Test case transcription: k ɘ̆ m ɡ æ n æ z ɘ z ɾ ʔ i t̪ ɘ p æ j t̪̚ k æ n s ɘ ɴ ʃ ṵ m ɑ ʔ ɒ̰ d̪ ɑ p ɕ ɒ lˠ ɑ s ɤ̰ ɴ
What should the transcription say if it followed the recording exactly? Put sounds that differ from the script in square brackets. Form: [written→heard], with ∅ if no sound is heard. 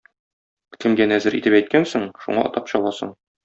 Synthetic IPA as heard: k ɘ̆ m ɡ æ n æ z ɘ [z→∅] ɾ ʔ i t̪ ɘ p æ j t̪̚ k æ n s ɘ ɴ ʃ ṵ [m→ɴ] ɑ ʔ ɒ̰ [d̪→t̪] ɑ p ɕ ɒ lˠ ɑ s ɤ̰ ɴ